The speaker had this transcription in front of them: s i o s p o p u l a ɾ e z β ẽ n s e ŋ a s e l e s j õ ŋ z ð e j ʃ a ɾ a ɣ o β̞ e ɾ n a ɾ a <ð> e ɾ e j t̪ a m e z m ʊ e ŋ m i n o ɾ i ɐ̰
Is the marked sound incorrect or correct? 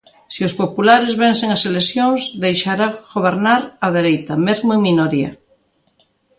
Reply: correct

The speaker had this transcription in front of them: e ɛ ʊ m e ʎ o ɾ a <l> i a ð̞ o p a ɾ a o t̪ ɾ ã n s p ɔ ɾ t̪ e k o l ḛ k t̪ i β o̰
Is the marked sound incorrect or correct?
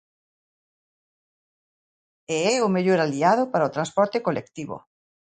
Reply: correct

